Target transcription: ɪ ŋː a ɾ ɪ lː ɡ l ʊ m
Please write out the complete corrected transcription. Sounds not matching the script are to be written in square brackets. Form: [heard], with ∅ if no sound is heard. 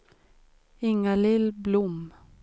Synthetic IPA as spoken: ɪ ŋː a [l] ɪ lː [b] l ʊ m